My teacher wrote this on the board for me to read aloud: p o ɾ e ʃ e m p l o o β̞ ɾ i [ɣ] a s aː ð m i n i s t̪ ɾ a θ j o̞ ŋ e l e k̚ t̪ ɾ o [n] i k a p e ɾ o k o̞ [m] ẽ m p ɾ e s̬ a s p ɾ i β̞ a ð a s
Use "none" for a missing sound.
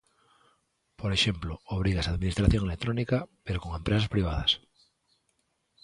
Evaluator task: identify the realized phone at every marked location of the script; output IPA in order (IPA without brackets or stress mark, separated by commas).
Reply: ɣ, n, ŋ